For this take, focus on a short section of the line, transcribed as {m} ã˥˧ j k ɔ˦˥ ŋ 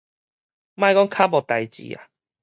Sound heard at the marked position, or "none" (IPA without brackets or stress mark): m